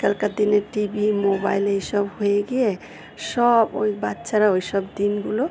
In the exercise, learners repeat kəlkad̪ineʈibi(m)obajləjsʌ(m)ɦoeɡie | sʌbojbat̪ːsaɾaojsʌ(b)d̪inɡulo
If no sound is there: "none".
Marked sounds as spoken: m, b, b

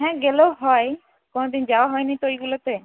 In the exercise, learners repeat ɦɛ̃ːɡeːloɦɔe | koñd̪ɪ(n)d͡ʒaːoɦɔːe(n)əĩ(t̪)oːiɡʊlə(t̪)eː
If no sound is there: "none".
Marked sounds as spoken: n, n, t̪, t̪

